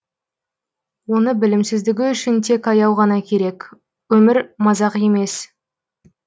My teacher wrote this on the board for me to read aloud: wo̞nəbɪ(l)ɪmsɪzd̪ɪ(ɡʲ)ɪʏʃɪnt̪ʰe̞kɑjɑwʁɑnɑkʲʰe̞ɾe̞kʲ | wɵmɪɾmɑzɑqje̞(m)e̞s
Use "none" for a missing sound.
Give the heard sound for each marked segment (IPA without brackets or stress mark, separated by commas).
l, ɡʲ, m